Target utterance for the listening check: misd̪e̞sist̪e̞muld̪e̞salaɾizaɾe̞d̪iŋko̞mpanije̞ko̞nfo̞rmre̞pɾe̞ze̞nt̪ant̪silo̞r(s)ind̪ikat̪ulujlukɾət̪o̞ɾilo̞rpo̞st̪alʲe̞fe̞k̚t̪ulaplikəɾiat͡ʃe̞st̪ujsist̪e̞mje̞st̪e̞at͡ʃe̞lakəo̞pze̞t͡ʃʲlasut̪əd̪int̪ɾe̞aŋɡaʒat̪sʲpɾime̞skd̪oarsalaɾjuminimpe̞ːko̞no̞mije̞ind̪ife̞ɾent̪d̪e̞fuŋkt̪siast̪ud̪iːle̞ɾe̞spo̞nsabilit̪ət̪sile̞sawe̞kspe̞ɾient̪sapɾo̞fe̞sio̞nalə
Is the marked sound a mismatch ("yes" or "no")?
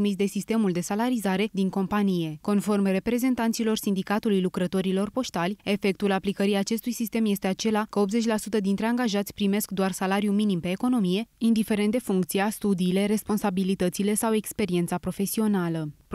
no